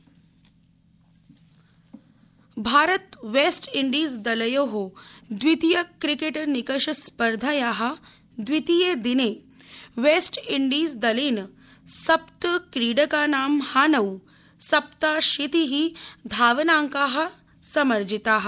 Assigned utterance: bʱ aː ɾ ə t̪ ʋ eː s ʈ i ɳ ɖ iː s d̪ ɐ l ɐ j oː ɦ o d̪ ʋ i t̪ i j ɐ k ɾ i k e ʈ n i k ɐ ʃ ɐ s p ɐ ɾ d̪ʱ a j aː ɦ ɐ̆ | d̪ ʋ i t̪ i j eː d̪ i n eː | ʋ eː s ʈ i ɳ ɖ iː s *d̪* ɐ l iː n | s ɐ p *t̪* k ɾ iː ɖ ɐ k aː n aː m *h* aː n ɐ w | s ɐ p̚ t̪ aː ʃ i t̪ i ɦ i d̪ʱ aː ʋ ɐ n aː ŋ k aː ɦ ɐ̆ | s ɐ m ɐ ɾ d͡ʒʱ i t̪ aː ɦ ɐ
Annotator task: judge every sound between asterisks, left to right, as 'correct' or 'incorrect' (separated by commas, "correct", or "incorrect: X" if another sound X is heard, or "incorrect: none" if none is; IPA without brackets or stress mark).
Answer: correct, correct, correct